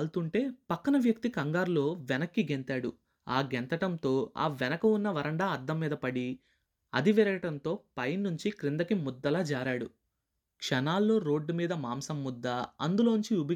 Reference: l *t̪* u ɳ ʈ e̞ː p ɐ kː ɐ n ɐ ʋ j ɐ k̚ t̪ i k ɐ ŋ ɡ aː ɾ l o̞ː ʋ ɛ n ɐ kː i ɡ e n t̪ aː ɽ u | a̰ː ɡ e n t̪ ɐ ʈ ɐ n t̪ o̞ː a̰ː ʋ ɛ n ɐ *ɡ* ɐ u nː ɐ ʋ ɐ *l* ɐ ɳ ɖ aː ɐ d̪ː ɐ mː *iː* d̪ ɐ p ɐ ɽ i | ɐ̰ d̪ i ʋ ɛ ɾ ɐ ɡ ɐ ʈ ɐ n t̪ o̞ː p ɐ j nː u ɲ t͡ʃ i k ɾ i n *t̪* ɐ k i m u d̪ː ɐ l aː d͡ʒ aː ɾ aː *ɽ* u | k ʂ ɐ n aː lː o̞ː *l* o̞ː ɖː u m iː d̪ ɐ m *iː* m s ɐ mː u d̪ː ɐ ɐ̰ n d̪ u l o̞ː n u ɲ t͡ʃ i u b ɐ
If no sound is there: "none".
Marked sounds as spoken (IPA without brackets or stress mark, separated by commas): t̪, k, ɾ, iː, d̪, ɽ, ɾ, aː